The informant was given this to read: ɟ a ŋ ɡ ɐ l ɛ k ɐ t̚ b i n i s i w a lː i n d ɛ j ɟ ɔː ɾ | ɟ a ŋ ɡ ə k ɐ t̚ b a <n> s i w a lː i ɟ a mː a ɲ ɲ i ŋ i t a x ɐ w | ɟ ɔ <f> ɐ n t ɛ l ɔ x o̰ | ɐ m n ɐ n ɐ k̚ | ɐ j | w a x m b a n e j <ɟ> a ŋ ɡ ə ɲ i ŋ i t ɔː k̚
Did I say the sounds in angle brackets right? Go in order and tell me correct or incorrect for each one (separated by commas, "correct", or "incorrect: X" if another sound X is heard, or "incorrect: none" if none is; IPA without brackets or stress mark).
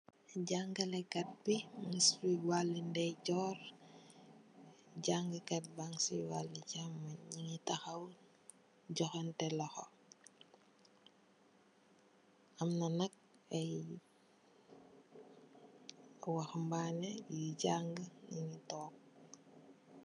incorrect: ŋ, incorrect: x, correct